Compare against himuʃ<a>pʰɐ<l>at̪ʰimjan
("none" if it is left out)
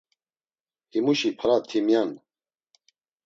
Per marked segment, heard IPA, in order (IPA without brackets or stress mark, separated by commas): i, ɾ